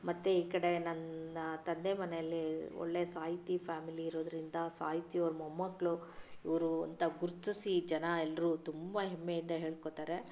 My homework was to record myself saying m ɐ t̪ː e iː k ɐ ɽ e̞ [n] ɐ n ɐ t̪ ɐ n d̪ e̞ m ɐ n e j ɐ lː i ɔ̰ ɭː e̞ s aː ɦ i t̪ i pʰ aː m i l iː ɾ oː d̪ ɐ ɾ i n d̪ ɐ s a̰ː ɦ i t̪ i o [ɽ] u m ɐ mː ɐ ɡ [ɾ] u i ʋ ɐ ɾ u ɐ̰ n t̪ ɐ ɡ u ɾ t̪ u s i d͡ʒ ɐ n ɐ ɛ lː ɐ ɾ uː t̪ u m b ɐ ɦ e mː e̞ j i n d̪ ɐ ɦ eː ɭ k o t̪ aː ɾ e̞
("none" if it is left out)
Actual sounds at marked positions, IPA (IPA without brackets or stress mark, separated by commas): n, ɾ, ɭ